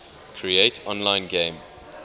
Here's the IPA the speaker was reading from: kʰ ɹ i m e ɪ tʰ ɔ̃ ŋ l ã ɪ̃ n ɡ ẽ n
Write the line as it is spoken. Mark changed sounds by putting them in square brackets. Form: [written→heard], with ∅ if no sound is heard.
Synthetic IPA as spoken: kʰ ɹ i [m→∅] e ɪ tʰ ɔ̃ [ŋ→n] l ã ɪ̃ n ɡ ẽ [n→m]

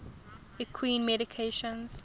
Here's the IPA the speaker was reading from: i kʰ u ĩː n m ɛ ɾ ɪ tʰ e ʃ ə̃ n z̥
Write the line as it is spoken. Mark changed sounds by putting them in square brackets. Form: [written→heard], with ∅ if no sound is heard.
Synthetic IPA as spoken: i kʰ [u→w] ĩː n m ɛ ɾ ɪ [tʰ→kʰ] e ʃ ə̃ n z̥

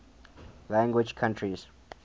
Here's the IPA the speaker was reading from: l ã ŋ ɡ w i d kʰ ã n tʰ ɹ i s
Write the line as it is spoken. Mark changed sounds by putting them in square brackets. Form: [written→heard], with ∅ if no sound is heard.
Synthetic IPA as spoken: l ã ŋ ɡ w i [d→d͡ʒ] kʰ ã n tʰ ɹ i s

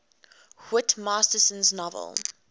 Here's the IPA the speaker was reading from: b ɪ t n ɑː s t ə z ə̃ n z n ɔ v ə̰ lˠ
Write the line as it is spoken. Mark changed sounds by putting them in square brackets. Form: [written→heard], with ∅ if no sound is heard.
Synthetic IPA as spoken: [b→w] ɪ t [n→m] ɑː s t ə [z→s] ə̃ n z n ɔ v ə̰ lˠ

